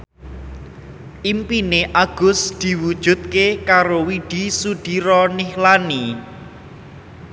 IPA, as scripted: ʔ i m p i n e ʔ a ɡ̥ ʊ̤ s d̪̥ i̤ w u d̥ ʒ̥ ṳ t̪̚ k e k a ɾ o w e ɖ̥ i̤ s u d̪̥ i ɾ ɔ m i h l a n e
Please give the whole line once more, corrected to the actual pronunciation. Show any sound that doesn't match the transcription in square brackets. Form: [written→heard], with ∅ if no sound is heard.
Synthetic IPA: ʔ i m p i n e ʔ a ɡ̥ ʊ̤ s d̪̥ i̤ w u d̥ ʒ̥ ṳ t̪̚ k e k a ɾ o w [e→i] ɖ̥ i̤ s u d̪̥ i ɾ ɔ [m→n] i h l a n [e→i]